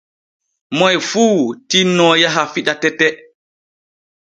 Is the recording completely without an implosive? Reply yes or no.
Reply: no